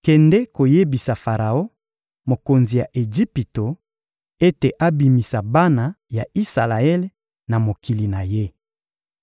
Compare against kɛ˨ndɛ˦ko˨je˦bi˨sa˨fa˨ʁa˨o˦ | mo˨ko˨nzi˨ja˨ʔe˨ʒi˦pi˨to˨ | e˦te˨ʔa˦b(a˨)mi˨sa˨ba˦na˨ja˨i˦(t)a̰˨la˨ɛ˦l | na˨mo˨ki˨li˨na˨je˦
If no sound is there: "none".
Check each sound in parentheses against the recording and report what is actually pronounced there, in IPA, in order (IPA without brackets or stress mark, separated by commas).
i˨, s